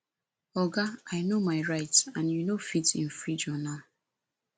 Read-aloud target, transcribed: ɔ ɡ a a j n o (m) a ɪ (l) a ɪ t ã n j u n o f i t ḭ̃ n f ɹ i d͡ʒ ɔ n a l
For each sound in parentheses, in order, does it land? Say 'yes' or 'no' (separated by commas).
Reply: yes, no